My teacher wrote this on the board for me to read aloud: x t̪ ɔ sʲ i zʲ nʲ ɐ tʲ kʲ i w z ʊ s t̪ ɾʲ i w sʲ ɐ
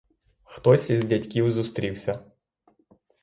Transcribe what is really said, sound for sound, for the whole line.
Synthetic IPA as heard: x t̪ ɔ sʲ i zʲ dʲ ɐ tʲ kʲ i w z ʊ s t̪ ɾʲ i w sʲ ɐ

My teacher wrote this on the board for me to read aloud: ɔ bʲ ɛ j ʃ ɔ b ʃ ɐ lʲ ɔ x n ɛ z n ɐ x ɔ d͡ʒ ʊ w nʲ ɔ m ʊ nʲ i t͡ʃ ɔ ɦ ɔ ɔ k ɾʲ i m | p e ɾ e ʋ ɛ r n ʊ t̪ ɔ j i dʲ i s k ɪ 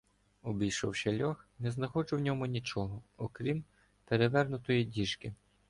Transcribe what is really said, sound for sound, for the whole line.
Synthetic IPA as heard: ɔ bʲ i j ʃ ɔ w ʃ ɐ lʲ ɔ x n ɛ z n ɐ x ɔ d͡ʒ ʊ w nʲ ɔ m ʊ nʲ i t͡ʃ ɔ ɦ ɔ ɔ k ɾʲ i m | p e ɾ e ʋ ɛ r n ʊ t̪ ɔ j i dʲ i ʃ k ɪ

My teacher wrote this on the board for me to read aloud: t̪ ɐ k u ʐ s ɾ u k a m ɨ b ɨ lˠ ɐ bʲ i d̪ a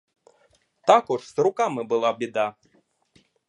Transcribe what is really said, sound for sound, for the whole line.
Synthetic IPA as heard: t̪ a k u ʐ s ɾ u k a m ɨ b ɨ lˠ a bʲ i d̪ a

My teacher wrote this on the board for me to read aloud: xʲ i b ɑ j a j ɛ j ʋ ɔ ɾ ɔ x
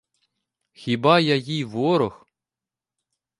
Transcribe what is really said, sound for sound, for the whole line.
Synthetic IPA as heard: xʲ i b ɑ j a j i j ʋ ɔ ɾ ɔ x

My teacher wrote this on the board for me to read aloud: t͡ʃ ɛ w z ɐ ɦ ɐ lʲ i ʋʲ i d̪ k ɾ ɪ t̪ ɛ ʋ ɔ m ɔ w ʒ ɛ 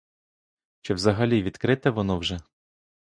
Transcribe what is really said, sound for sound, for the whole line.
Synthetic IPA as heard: t͡ʃ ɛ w z ɐ ɦ ɐ lʲ i ʋʲ i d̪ k ɾ ɪ t̪ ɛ ʋ ɔ n ɔ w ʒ ɛ

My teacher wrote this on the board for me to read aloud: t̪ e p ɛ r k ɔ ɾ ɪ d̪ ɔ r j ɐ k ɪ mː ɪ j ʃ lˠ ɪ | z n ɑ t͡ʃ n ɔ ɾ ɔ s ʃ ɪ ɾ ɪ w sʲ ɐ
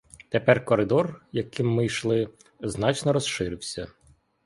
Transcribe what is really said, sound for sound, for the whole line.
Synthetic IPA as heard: t̪ e p ɛ r k ɔ ɾ ɪ d̪ ɔ r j ɐ k ɪ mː ɪ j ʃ lˠ ɪ | z n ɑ t͡ʃ n ɔ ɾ ɔ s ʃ ɪ ɾ ɪ w sʲ ɐ

